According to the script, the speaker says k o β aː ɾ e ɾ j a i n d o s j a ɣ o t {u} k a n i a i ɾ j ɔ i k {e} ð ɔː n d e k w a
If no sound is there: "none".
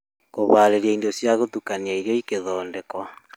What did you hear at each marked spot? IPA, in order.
u, e

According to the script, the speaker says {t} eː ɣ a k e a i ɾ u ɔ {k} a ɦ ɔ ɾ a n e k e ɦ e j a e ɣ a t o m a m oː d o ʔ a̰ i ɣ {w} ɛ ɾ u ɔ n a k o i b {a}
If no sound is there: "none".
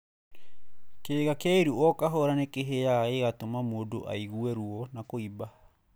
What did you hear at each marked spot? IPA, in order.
k, k, u, a

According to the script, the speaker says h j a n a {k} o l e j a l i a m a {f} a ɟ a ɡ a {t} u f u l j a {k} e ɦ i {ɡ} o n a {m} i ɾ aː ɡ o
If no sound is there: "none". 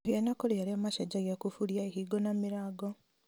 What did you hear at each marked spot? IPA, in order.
k, ʃ, k, none, ɡ, m

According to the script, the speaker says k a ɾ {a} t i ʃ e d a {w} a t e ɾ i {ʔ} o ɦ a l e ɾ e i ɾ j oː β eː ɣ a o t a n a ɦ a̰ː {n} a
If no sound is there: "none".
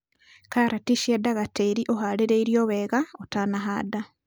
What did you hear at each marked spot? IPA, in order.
a, ɣ, ʔ, d

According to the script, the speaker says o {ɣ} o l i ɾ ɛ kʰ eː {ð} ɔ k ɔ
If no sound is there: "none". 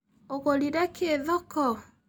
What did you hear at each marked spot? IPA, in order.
ɣ, ð

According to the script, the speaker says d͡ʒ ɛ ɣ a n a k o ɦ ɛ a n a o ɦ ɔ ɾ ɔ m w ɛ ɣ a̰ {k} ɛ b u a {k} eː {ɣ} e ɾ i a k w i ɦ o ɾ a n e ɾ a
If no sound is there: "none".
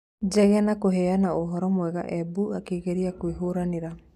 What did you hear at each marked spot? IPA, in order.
ʔ, k, ɣ

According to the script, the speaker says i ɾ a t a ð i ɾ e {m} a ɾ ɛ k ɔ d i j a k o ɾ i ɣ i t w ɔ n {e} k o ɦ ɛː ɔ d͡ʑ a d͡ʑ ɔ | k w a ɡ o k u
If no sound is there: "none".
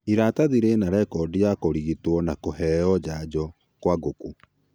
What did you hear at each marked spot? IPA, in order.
n, a

